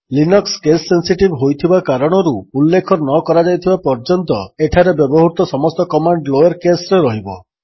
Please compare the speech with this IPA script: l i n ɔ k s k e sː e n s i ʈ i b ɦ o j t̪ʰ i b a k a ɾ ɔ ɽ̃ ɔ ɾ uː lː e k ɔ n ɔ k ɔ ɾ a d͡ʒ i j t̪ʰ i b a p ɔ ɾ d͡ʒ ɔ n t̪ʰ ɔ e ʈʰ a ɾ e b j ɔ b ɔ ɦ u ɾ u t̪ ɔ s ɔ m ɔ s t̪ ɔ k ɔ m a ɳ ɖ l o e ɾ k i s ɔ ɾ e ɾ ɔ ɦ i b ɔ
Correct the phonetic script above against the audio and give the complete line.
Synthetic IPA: l i n ɔ k s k e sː e n s i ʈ i b ɦ o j t̪ʰ i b a k a ɾ ɔ ɽ̃ ɔ ɾ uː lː e kʰ ɔ n ɔ k ɔ ɾ a d͡ʒ a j t̪ʰ i b a p ɔ ɾ d͡ʒ ɔ n t̪ ɔ e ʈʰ a ɾ e b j ɔ b ɔ ɦ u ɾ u t̪ ɔ s ɔ m ɔ s t̪ ɔ k ɔ m a ɳ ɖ l o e ɾ k e s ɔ ɾ e ɾ ɔ ɦ i b ɔ